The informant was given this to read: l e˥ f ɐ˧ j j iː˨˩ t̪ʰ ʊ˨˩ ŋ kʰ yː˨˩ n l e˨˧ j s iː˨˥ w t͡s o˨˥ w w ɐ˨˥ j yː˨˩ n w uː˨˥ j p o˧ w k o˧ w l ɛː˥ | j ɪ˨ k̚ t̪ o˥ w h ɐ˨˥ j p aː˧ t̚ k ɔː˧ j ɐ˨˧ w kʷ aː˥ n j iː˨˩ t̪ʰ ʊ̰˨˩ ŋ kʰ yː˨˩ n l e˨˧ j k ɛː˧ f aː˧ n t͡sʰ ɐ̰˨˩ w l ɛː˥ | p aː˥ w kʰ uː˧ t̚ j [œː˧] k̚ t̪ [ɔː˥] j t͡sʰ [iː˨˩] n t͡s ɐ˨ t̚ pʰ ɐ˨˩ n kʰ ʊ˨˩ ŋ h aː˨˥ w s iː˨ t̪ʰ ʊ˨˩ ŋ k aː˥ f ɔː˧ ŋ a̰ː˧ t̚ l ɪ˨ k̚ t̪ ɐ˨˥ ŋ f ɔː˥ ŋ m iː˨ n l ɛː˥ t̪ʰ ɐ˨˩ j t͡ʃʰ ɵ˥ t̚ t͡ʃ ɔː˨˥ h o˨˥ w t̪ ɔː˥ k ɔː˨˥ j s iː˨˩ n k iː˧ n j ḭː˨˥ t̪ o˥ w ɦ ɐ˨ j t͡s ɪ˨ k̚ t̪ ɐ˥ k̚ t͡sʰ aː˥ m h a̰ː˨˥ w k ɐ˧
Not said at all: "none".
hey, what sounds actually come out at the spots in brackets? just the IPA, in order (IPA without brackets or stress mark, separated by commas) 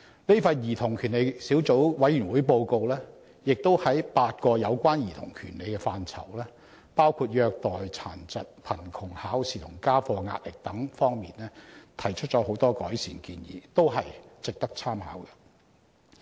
œː˧, ɔː˨, aː˨˩